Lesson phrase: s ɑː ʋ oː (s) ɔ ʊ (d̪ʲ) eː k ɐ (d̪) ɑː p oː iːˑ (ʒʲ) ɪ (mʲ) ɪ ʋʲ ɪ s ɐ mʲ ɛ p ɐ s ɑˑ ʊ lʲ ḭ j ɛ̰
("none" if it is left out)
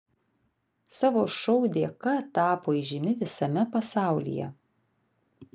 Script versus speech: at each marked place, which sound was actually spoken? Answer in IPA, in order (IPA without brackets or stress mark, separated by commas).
ʃ, d̪ʲ, t̪, ʒʲ, mʲ